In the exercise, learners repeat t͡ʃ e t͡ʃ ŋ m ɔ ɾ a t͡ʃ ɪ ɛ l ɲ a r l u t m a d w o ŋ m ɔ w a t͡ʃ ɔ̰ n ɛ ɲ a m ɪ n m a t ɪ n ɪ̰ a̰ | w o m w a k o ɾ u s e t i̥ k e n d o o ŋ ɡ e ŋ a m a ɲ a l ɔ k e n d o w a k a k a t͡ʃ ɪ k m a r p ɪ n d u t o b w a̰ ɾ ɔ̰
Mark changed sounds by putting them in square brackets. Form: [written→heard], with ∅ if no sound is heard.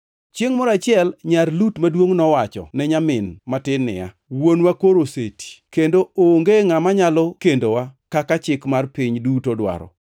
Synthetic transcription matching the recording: t͡ʃ e [t͡ʃ→∅] ŋ m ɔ ɾ a t͡ʃ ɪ ɛ l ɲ a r l u t m a d w o ŋ [m→n] ɔ w a t͡ʃ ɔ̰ n ɛ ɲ a m ɪ n m a t ɪ n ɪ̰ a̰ | w o [m→n] w a k o ɾ [u→o] s e t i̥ k e n d o o ŋ ɡ e ŋ a m a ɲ a l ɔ k e n d o w a k a k a t͡ʃ ɪ k m a r p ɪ [n→ɲ] d u t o [b→d] w a̰ ɾ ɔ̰